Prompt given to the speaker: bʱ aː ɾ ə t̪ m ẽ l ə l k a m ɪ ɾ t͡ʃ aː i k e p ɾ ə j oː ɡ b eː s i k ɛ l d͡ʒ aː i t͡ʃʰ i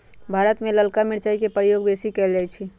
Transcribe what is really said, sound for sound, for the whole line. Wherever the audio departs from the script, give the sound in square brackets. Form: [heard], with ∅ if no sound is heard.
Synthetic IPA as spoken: bʱ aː ɾ ə t̪ m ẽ l ə l k a m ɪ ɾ t͡ʃ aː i k e p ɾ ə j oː ɡ b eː s i k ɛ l d͡ʒ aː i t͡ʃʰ i